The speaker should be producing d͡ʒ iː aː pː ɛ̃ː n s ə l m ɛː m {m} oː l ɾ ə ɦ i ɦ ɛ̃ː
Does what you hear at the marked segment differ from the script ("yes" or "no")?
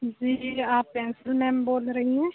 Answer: yes